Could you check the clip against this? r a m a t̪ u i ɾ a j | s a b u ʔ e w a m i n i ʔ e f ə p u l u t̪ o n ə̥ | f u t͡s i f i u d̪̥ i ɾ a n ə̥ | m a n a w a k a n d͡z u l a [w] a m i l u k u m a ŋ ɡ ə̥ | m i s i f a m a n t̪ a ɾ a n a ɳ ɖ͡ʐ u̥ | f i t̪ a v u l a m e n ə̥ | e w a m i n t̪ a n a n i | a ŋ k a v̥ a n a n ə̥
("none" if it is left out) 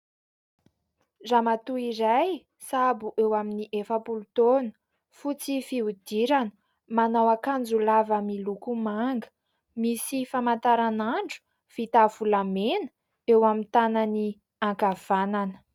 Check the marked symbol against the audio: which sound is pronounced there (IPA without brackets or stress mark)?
v